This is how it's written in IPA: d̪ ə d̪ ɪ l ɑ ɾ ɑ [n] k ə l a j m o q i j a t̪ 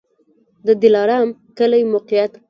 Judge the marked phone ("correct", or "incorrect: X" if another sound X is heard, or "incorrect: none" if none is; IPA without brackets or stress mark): incorrect: m